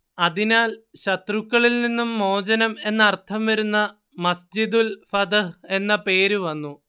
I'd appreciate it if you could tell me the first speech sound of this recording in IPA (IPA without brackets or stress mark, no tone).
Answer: ɐ